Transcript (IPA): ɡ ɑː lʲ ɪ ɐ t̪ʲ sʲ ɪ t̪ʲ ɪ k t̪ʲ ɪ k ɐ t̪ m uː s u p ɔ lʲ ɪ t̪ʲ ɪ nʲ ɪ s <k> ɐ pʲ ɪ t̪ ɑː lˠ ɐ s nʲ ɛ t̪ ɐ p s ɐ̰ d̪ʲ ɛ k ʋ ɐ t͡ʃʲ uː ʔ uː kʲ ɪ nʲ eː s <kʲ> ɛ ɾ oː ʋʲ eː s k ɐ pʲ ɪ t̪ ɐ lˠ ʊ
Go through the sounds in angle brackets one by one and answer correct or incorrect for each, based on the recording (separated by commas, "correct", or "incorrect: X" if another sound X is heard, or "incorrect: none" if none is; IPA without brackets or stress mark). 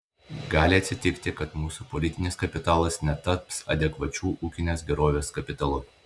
correct, incorrect: ɡʲ